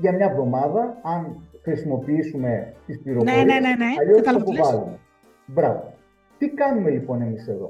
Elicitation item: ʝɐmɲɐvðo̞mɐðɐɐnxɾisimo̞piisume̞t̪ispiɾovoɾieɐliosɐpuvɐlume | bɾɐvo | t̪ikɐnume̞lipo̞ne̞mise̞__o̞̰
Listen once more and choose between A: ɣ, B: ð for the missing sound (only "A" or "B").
B